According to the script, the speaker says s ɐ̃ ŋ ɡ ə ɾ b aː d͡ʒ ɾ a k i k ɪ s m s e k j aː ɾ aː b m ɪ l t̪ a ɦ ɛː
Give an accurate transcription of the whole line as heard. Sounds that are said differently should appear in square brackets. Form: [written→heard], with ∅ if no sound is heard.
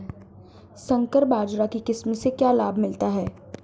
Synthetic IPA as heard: s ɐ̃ ŋ [ɡ→k] ə ɾ b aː d͡ʒ ɾ a k i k ɪ s m s e k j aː [ɾ→l] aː b m ɪ l t̪ a ɦ ɛː

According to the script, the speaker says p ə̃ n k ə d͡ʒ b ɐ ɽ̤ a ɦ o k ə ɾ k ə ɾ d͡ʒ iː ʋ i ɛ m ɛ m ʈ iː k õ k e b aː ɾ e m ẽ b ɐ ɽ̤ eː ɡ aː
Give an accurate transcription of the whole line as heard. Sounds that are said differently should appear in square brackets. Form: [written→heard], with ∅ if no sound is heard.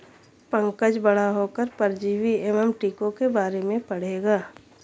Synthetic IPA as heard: p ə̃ [n→ŋ] k ə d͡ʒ b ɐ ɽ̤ a ɦ o k ə ɾ [k→p] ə ɾ d͡ʒ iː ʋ i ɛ m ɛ m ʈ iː k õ k e b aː ɾ e m ẽ [b→p] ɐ ɽ̤ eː ɡ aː

